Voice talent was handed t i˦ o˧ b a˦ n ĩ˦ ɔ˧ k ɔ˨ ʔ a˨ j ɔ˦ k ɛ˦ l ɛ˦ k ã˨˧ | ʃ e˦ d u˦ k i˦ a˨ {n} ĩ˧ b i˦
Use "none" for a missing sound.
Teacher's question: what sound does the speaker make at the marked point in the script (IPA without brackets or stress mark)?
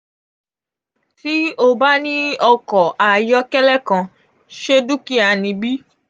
n